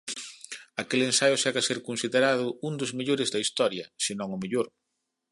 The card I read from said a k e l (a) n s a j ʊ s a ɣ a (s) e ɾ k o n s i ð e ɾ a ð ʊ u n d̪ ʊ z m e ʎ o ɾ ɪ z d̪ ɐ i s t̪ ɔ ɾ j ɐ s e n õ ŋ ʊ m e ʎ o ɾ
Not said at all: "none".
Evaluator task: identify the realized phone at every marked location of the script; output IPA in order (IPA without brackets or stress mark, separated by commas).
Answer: e, s